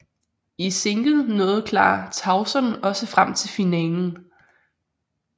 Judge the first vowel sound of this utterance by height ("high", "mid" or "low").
high